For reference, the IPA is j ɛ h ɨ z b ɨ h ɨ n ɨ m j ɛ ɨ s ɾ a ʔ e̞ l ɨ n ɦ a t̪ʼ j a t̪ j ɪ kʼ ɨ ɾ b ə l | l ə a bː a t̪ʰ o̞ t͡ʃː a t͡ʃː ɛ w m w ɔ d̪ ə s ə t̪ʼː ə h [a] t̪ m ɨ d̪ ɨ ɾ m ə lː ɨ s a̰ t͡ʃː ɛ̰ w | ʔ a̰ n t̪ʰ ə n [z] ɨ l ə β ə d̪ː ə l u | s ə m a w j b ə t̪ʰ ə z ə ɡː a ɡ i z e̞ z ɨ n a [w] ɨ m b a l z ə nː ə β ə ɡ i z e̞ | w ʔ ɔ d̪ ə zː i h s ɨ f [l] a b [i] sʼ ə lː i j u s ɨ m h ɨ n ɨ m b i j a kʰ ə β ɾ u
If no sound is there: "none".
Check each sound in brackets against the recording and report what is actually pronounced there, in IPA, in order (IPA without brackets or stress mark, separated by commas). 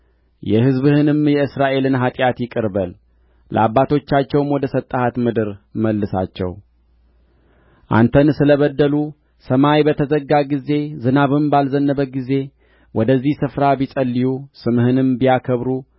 a, s, β, ɾ, i